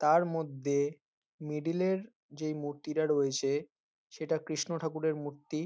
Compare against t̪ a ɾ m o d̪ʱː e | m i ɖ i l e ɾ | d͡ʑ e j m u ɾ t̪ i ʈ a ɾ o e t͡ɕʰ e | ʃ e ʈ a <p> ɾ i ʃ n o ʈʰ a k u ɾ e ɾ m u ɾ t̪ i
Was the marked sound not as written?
yes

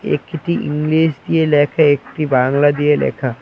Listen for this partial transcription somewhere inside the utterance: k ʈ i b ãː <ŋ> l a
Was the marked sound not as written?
no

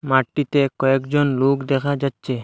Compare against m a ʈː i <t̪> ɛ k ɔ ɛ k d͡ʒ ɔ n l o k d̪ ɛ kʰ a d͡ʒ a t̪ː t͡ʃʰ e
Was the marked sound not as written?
no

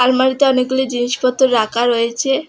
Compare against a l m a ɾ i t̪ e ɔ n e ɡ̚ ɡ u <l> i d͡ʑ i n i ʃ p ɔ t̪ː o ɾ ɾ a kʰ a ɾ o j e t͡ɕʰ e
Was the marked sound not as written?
no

